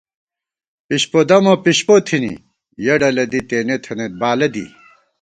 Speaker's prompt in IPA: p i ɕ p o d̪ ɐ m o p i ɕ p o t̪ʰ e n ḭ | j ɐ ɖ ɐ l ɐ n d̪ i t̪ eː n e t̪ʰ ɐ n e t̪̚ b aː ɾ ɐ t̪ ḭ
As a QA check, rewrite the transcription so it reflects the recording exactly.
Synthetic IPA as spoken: p i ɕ p o d̪ ɐ m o p i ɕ p o t̪ʰ i n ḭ | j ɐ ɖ ɐ l ɐ d̪ i t̪ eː n e t̪ʰ ɐ n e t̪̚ b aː l ɐ d̪ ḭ